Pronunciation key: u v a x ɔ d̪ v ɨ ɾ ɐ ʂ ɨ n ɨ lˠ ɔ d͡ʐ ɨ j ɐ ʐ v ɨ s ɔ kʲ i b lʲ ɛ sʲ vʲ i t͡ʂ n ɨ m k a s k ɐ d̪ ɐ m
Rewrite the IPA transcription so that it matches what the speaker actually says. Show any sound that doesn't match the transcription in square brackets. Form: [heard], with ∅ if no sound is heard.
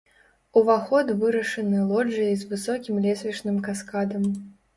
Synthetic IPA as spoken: u v a x ɔ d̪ v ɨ ɾ ɐ ʂ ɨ n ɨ lˠ ɔ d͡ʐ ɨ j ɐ [z] v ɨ s ɔ kʲ i [m] lʲ ɛ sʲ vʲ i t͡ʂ n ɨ m k a s k [a] d̪ ɐ m